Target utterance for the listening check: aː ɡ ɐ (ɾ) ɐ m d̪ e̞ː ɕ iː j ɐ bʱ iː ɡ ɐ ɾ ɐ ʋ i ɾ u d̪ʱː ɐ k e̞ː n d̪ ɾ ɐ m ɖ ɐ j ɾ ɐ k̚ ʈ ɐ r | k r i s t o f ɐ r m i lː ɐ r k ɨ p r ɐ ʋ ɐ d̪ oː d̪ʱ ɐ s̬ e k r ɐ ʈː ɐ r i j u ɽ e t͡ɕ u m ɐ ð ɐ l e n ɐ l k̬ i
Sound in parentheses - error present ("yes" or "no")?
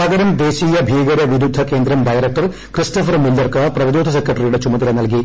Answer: no